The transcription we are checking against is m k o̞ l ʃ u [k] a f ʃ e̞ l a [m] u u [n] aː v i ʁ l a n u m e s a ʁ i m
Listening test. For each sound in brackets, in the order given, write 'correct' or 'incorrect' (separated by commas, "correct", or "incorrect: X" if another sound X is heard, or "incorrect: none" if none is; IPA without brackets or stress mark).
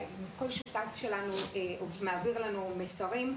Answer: incorrect: t, incorrect: n, incorrect: m